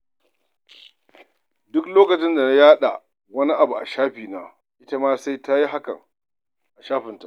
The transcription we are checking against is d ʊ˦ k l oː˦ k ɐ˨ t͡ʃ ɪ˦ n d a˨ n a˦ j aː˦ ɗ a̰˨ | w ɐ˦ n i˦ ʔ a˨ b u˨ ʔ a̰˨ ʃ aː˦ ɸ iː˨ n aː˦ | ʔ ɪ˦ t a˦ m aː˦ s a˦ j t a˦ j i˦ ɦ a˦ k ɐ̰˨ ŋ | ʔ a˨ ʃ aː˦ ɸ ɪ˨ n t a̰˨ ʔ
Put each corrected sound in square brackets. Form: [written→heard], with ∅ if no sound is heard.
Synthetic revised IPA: d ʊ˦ k l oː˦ k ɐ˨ t͡ʃ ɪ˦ n d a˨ n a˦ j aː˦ ɗ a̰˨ | w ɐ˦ n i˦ ʔ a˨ b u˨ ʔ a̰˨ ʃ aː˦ ɸ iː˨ n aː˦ | ʔ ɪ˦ t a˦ m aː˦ s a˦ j t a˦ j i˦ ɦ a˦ k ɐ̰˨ ŋ | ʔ a˨ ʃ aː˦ ɸ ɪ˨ n t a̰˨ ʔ